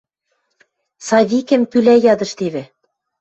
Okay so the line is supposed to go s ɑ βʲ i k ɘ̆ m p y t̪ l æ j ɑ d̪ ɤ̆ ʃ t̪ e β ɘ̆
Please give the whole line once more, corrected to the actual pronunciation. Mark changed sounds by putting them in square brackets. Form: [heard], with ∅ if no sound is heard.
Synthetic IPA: s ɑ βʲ i k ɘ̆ m p y [∅] l æ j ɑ d̪ ɤ̆ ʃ t̪ e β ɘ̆

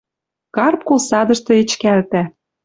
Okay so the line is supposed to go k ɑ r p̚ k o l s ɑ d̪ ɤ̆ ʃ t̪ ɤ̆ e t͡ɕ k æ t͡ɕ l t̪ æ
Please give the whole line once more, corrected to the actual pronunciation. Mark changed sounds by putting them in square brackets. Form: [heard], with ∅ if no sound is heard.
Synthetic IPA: k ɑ r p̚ k o l s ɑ d̪ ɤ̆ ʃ t̪ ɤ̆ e t͡ɕ k æ [∅] l t̪ æ

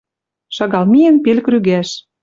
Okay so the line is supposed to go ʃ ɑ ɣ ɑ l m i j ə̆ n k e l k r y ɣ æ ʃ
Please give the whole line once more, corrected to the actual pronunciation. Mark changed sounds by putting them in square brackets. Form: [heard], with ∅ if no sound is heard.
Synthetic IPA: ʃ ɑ ɣ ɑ l m i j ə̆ n [p] e l k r y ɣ æ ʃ

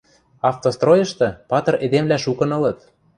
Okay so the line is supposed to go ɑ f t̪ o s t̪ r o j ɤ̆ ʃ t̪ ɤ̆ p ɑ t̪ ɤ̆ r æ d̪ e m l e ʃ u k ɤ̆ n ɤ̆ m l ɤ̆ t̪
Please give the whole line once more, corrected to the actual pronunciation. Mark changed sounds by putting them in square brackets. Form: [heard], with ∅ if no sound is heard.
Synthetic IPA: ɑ f t̪ o s t̪ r o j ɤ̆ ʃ t̪ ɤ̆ p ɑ t̪ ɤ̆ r [e] d̪ e m l [æ] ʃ u k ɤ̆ n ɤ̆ [∅] l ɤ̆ t̪

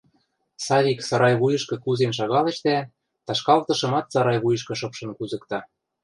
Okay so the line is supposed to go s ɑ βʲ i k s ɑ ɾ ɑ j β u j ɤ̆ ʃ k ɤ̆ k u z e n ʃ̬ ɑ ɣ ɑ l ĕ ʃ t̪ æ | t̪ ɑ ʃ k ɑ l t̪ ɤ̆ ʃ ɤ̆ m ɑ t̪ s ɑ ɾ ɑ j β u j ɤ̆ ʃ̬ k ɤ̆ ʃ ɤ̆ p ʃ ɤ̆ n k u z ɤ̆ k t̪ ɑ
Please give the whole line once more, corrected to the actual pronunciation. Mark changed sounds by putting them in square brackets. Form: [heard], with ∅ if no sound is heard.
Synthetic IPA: s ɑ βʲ i k s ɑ ɾ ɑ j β u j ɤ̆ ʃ k ɤ̆ k u z e n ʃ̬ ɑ ɣ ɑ l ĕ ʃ t̪ æ | t̪ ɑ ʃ k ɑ l t̪ ɤ̆ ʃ ɤ̆ m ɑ t̪ s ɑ ɾ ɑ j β u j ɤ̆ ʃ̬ k ɤ̆ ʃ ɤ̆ p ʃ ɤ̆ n k u z ɤ̆ k t̪ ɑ

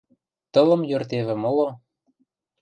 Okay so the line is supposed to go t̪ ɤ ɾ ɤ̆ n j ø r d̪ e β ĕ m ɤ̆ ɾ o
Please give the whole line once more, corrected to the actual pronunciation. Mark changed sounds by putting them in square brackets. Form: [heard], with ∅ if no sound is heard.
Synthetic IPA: t̪ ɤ [l] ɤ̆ [m] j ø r [t̪] e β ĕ m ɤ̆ [l] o

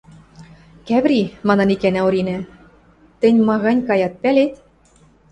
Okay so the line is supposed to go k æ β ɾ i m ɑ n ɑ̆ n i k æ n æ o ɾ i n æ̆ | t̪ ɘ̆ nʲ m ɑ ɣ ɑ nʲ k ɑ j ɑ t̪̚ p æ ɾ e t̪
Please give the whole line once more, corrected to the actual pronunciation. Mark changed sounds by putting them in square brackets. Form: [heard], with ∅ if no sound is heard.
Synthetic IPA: k æ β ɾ i m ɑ n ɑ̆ n i k æ n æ o ɾ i n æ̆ | t̪ ɘ̆ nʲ m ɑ ɣ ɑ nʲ k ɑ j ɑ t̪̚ p æ [l] e t̪

